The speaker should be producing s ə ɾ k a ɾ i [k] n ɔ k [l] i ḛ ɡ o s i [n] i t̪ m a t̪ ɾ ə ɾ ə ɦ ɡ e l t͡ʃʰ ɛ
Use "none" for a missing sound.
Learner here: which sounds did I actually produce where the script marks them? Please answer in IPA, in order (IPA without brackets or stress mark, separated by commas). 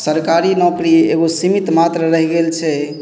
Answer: none, ɾ, m